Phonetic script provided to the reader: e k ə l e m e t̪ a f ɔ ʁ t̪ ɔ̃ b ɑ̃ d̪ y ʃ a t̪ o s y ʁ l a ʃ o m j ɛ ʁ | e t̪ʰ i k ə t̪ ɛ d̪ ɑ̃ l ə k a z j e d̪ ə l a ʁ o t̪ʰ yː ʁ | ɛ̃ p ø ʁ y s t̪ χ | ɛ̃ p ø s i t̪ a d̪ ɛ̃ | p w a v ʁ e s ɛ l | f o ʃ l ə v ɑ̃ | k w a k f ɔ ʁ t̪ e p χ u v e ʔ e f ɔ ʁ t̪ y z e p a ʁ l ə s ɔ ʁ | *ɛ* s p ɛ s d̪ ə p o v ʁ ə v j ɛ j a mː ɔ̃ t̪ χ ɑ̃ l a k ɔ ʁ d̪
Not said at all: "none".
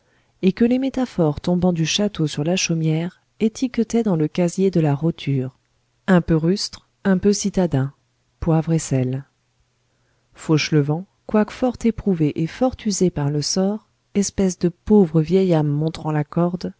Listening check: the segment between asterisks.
ɛ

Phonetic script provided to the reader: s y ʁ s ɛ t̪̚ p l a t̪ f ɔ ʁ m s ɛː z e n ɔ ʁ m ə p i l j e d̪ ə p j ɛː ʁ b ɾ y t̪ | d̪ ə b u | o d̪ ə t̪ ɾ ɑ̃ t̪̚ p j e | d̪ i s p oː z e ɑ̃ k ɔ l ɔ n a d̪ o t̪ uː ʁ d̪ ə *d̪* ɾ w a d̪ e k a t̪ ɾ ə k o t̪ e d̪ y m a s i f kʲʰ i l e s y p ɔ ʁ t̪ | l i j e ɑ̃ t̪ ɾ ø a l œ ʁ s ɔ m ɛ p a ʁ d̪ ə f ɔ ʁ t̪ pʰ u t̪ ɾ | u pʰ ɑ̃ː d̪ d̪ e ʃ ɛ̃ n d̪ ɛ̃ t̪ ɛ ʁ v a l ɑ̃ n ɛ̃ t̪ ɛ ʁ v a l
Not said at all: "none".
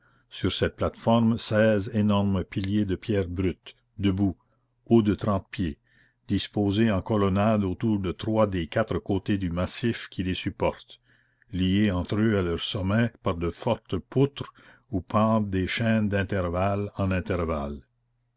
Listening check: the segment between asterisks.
t̪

